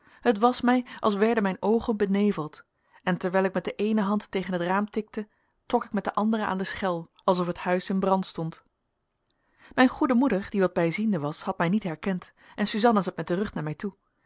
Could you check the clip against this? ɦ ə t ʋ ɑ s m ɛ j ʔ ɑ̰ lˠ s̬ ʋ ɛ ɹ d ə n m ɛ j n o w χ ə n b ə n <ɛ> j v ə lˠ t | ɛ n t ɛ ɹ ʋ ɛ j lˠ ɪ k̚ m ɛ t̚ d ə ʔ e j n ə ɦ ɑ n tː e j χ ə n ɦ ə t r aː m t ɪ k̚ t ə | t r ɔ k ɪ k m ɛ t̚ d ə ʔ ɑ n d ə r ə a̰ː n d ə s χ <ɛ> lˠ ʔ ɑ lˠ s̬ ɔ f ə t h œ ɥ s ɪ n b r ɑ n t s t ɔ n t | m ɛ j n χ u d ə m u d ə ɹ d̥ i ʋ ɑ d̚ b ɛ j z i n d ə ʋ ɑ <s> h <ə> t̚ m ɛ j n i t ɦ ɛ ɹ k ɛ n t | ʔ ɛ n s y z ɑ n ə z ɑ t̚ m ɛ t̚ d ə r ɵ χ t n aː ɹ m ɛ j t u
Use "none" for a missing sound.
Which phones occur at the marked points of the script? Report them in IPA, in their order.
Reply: e, ɛ, s, ɑ

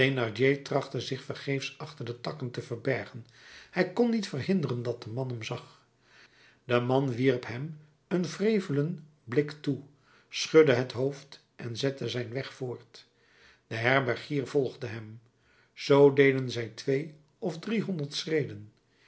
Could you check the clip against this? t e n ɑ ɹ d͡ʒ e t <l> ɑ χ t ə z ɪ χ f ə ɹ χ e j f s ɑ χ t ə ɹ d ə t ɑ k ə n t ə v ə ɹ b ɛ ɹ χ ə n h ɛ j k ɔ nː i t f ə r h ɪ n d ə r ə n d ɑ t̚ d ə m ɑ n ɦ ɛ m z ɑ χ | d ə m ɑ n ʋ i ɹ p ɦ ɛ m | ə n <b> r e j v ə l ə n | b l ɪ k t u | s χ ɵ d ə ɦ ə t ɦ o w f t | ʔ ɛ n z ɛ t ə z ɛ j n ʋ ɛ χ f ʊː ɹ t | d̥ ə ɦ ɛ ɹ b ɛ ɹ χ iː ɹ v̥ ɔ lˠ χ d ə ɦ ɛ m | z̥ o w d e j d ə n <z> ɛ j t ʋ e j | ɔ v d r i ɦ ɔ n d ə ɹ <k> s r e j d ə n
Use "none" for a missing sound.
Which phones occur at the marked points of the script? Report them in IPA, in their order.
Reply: r, v, z, t

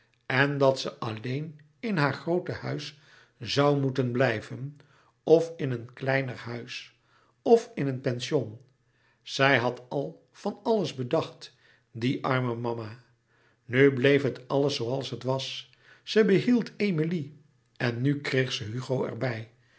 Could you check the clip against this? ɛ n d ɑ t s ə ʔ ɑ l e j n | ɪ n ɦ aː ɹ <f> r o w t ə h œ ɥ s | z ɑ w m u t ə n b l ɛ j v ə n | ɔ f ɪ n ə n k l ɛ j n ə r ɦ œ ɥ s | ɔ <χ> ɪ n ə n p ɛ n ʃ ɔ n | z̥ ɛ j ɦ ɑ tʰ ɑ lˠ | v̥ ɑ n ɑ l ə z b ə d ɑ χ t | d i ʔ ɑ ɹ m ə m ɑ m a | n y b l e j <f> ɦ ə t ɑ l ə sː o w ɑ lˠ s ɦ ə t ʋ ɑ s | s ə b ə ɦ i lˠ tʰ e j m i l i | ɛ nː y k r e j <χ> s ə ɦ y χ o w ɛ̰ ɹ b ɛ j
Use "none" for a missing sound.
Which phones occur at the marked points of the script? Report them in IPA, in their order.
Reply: χ, f, f, χ

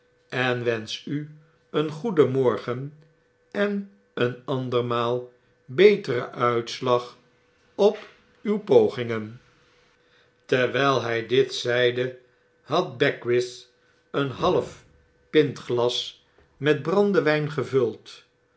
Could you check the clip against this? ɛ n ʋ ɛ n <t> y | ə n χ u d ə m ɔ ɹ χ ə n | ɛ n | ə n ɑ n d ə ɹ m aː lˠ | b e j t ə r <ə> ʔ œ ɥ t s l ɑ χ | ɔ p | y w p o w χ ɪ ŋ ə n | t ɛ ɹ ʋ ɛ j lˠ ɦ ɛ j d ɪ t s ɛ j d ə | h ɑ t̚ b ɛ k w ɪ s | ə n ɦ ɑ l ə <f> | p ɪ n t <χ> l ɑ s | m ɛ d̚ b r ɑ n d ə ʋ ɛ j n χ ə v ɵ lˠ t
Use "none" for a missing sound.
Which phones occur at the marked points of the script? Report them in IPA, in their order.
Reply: s, ə, f, χ

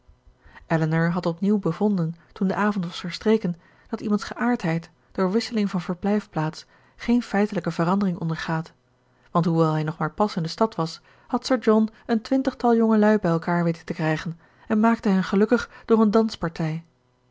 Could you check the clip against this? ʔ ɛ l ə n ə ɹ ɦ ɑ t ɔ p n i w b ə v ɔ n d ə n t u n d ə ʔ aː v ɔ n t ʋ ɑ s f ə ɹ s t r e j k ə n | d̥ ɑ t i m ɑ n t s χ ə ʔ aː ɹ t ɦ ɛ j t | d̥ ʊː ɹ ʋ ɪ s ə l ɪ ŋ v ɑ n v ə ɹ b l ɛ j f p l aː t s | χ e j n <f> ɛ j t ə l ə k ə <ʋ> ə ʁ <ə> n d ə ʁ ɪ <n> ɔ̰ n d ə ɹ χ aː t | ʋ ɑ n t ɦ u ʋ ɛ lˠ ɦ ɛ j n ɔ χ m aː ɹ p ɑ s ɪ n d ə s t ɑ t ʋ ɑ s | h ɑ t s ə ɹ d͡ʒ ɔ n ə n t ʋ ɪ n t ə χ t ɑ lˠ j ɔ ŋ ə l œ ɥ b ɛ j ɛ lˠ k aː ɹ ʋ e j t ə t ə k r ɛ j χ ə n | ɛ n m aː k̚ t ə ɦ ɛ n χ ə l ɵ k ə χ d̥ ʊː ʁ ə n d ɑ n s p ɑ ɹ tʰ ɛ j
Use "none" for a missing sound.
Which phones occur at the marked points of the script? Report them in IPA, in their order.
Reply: f, v, ɑ, ŋ

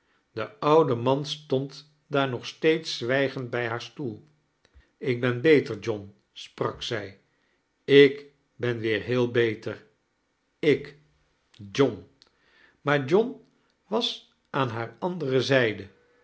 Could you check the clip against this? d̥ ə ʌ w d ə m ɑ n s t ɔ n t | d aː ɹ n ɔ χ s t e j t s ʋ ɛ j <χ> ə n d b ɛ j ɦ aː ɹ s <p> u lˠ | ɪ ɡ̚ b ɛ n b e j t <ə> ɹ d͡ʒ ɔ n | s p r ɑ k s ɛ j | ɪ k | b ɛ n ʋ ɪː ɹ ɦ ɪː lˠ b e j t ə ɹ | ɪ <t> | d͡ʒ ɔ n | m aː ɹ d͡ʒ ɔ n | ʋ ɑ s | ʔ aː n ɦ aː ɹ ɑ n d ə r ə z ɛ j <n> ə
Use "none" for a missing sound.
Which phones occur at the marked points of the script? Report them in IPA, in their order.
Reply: χ, t, ə, k, d

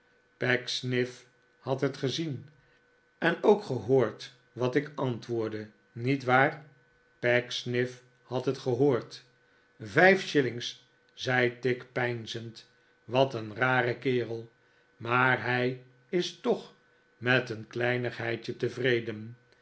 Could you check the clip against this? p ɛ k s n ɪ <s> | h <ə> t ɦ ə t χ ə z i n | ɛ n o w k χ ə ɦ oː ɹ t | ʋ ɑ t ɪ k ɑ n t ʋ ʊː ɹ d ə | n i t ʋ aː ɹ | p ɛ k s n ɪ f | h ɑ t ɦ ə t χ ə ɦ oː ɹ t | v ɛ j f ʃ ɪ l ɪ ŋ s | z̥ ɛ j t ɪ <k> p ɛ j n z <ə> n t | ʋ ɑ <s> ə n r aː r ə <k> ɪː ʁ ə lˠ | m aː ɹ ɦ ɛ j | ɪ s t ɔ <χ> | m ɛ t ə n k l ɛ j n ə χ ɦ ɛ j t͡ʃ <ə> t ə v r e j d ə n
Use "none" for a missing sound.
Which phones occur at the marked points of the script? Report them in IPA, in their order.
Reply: f, ɑ, k, ə, t, k, χ, ə

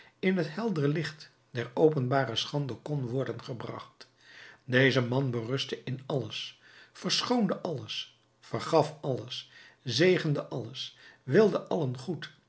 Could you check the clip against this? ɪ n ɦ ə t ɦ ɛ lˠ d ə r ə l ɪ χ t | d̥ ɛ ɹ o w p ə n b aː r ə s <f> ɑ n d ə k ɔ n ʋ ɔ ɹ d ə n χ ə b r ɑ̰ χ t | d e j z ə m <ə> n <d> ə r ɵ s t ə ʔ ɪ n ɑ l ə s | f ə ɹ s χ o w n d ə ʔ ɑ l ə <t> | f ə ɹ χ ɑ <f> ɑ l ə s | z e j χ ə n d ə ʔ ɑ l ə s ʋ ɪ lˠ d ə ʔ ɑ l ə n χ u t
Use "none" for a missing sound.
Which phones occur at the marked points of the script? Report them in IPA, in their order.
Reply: χ, ɑ, b, s, f

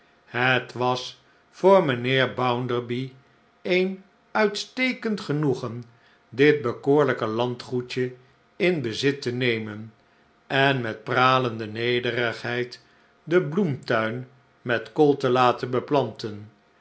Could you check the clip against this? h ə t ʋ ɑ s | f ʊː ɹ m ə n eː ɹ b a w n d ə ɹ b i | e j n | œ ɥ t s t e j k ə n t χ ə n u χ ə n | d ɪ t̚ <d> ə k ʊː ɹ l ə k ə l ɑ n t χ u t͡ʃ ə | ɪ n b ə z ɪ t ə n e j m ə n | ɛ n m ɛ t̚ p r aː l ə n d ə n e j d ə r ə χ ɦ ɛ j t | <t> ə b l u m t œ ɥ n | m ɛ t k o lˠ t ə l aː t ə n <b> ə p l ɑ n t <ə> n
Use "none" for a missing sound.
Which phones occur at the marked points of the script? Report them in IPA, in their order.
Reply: b, d, b, ə

